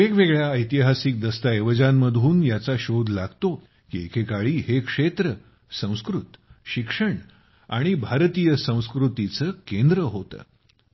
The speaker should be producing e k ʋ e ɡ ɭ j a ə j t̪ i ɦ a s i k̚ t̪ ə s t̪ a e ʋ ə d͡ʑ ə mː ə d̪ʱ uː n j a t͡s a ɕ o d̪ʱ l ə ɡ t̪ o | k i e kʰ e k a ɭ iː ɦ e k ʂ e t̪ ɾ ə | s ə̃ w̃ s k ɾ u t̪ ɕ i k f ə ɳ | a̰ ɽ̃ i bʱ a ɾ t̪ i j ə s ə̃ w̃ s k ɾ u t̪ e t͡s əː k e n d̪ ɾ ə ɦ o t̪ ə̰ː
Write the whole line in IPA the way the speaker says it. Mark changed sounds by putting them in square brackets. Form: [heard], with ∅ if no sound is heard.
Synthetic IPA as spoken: e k ʋ e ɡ ɭ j a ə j t̪ i ɦ a s i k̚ [d̪] ə s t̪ a e ʋ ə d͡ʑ [a] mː ə d̪ʱ uː n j a t͡s a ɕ o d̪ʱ l [a] ɡ t̪ o | k i e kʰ e k a ɭ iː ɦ e k ʂ e t̪ ɾ ə | s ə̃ w̃ s k ɾ u t̪ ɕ i k [ʂ] ə ɳ | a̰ ɽ̃ i bʱ a ɾ t̪ i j ə s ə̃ w̃ s k ɾ u t̪ [i] t͡s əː k e n d̪ ɾ ə ɦ o t̪ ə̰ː